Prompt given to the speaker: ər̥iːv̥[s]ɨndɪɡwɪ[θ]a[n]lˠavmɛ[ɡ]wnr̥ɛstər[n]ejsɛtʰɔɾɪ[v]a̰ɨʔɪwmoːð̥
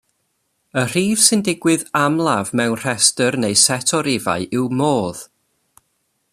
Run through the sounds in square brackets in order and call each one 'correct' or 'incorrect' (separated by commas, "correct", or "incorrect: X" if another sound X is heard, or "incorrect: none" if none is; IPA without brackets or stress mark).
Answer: correct, incorrect: ð, incorrect: m, incorrect: none, correct, correct